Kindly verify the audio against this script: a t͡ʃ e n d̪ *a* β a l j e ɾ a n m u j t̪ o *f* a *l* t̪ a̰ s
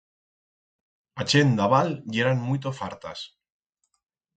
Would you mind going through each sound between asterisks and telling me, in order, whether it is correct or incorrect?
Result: correct, correct, incorrect: ɾ

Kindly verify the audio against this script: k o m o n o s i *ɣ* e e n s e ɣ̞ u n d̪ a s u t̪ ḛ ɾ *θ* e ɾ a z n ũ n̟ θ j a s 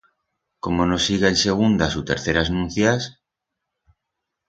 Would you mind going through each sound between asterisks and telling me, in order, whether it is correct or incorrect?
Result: correct, correct

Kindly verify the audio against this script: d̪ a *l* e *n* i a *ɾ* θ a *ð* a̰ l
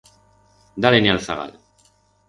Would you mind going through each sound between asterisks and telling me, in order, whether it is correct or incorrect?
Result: correct, correct, incorrect: l, incorrect: ɣ

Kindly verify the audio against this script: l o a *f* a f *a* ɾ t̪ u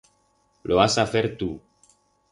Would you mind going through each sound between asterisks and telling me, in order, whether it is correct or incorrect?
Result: incorrect: s, incorrect: e

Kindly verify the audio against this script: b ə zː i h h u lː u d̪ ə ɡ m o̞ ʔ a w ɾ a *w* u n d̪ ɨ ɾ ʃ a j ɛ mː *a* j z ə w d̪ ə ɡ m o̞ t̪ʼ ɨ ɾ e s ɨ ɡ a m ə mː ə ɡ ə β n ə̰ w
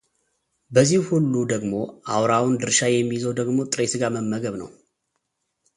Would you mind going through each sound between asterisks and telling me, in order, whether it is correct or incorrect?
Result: correct, incorrect: i

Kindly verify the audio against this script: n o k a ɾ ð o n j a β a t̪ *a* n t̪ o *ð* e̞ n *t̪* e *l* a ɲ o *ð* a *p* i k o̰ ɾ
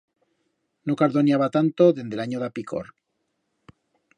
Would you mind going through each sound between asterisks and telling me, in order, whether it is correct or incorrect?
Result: correct, correct, incorrect: d̪, correct, correct, correct

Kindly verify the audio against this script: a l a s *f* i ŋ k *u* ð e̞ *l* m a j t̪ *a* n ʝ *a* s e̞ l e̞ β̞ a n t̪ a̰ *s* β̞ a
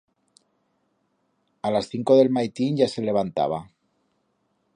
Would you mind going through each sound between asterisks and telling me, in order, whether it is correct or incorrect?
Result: incorrect: θ, incorrect: o, correct, incorrect: i, correct, incorrect: none

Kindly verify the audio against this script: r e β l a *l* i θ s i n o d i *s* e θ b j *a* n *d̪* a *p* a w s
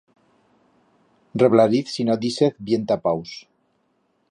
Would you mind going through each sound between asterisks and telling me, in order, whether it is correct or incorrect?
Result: incorrect: ɾ, correct, incorrect: e, incorrect: t̪, correct

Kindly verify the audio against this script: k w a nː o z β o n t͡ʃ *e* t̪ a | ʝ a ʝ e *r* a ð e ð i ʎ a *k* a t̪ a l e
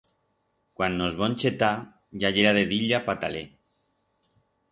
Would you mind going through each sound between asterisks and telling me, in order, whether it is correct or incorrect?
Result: correct, incorrect: ɾ, incorrect: p

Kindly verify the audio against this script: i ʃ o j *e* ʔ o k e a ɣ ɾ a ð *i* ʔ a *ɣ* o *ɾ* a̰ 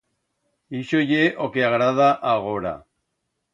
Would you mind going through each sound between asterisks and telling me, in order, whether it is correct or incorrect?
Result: correct, incorrect: a, correct, correct

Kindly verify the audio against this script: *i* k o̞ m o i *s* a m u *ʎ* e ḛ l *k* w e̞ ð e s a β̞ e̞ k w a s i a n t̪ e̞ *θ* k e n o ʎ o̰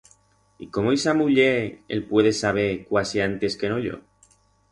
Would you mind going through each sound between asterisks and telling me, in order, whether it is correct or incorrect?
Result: correct, correct, correct, incorrect: p, incorrect: s

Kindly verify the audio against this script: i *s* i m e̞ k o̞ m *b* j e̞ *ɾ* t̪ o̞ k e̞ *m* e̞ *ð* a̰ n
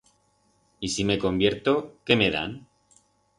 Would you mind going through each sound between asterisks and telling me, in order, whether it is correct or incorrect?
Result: correct, correct, correct, correct, correct

